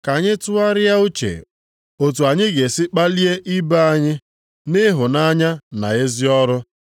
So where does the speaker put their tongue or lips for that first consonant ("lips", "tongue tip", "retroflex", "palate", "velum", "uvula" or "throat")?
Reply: velum